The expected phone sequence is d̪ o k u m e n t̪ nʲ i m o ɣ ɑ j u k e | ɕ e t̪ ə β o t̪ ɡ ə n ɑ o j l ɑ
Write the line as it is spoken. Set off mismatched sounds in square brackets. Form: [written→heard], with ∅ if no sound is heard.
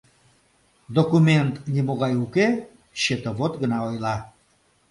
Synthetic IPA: d̪ o k u m e n t̪ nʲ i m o ɣ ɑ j u k e | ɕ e t̪ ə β o t̪ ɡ ə n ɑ o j l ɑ